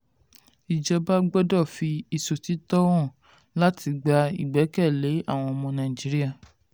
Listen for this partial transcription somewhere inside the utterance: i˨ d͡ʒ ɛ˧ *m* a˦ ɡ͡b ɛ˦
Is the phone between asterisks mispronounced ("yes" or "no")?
yes